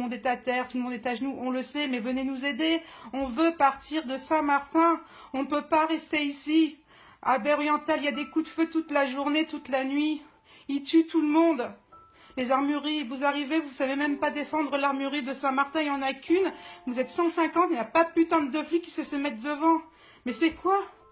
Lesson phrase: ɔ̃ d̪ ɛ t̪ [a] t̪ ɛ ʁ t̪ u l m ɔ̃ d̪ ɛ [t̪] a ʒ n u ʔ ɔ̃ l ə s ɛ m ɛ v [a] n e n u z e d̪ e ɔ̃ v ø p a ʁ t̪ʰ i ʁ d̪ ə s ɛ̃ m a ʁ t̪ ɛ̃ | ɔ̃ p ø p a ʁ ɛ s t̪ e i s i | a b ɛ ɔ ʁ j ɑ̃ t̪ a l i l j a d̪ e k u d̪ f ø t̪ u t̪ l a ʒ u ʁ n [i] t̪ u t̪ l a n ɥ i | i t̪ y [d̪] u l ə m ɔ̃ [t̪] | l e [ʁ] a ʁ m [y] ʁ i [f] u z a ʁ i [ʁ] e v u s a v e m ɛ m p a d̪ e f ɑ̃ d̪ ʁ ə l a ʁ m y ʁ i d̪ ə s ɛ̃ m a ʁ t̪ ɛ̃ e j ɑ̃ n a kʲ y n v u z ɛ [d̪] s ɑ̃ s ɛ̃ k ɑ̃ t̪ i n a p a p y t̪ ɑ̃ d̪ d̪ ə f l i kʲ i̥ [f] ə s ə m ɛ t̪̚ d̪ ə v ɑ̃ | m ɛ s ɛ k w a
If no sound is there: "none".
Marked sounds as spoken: a, t̪, ə, e, t̪, d̪, z, y, v, v, t̪, s

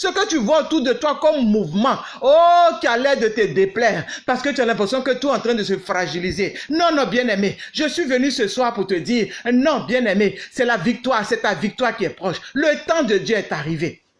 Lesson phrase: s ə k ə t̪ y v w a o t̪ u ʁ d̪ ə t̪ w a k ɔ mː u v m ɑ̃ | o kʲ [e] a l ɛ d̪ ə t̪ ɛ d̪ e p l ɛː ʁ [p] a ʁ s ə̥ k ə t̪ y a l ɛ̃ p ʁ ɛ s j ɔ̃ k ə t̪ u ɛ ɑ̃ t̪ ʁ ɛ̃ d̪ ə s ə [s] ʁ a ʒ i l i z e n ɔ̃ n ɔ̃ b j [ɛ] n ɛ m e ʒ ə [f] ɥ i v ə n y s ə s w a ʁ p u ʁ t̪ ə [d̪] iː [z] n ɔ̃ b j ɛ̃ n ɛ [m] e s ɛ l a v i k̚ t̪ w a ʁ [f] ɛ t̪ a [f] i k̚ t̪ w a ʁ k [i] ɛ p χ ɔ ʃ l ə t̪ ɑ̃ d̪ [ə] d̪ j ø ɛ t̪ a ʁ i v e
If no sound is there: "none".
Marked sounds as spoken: i, p, f, ɛ̃, s, d̪, ʁ, m, s, v, i, ə

